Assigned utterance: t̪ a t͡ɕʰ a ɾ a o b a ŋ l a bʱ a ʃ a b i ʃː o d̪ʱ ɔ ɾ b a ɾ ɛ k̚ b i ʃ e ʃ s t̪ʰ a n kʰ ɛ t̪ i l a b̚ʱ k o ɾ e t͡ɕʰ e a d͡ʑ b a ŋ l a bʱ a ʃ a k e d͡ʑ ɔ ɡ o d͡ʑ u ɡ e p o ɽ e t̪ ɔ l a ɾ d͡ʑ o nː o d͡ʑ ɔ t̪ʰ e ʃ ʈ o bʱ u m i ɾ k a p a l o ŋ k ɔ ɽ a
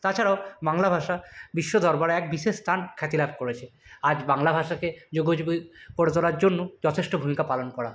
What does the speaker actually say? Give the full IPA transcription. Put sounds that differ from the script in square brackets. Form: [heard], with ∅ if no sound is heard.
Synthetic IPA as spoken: t̪ a t͡ɕʰ a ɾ a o b a ŋ l a bʱ a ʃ a b i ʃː o d̪ʱ ɔ ɾ b a ɾ ɛ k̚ b i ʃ e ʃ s t̪ʰ a n kʰ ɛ t̪ i l a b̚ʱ k o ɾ e t͡ɕʰ e a d͡ʑ b a ŋ l a bʱ a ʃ a k e d͡ʑ [o] ɡ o d͡ʑ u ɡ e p o ɽ e t̪ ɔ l a ɾ d͡ʑ o nː o d͡ʑ ɔ t̪ʰ e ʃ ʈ o bʱ u m i [∅] k a p a l o [n] k ɔ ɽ a